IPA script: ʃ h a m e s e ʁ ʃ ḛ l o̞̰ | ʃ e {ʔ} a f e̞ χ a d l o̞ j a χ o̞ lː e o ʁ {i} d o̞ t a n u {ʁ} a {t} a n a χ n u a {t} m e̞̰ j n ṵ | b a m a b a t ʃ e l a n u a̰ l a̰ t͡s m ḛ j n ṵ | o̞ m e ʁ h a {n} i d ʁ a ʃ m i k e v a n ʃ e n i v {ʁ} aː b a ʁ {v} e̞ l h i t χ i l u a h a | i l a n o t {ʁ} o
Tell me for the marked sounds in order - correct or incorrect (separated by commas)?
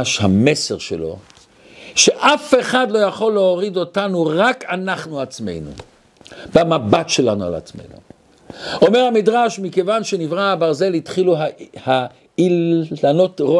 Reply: correct, correct, correct, incorrect, incorrect, incorrect, correct, incorrect, correct